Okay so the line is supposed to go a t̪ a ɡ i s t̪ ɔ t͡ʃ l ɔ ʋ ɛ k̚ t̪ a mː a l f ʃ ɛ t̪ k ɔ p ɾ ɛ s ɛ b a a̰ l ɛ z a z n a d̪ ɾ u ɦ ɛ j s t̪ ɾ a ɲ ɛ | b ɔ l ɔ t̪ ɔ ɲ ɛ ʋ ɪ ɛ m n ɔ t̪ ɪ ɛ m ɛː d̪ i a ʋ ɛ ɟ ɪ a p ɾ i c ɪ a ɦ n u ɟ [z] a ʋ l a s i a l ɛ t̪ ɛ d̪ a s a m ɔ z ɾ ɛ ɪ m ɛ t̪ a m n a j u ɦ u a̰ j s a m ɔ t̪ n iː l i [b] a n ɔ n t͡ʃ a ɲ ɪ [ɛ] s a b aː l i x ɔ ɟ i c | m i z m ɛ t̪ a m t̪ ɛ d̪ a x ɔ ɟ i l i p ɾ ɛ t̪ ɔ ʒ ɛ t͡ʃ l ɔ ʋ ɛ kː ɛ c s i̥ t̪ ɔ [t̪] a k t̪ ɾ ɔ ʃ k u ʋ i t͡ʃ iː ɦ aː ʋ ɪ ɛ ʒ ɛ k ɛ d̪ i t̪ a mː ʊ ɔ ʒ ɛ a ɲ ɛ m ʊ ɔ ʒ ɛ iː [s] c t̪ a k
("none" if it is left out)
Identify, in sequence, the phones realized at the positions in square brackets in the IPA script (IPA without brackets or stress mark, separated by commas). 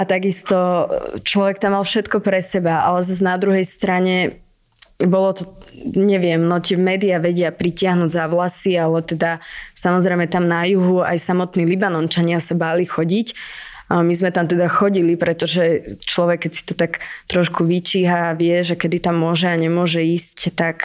z, b, a, t̪, s